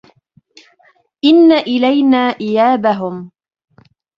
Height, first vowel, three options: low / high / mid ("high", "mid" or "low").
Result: high